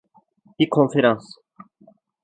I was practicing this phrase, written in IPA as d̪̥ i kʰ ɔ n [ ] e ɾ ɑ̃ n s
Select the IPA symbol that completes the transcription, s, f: f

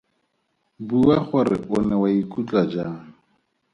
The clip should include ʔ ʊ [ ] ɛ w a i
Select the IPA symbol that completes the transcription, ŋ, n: n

